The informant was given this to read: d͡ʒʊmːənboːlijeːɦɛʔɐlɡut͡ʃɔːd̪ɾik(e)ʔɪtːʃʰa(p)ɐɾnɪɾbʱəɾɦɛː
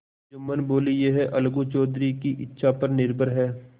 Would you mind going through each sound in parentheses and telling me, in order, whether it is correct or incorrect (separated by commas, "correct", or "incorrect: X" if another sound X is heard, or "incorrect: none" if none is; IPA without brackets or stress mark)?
incorrect: i, correct